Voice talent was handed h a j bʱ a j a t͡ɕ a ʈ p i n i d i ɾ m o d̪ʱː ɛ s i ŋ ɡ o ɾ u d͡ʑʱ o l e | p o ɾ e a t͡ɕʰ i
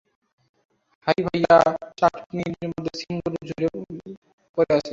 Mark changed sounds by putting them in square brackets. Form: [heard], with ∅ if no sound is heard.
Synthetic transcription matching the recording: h a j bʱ a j a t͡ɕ a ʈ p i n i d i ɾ m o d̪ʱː [e] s i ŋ ɡ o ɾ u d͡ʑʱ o [ɾ] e | p o ɾ e a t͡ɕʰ [e]